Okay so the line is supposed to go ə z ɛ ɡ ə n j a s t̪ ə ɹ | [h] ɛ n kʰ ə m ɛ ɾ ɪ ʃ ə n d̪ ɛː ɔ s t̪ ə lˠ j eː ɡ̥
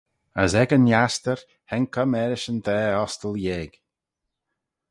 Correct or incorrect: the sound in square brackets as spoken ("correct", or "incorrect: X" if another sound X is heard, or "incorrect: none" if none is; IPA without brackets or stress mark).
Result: correct